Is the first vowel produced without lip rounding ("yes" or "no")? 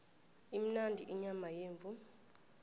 yes